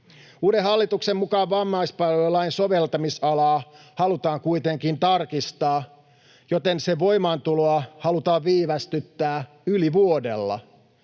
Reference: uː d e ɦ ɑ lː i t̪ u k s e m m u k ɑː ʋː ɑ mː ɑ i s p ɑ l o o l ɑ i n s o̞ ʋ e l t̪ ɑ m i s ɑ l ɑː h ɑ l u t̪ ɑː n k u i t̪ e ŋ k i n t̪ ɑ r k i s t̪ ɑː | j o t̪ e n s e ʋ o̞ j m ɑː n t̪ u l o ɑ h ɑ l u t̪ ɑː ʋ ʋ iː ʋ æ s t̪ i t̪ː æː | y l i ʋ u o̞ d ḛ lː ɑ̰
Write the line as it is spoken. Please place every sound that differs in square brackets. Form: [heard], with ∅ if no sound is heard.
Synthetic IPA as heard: uː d e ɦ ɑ lː i t̪ u k s e m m u k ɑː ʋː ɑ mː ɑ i s p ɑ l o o l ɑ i n s o̞ ʋ e l t̪ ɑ m i s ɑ l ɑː h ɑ l u t̪ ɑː [ŋ] k u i t̪ e ŋ k i n t̪ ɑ r k i s t̪ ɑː | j o t̪ e n s e ʋ o̞ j m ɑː n t̪ u l o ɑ h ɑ l u t̪ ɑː ʋ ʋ iː ʋ æ s t̪ [y] t̪ː æː | y l i ʋ u o̞ d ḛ lː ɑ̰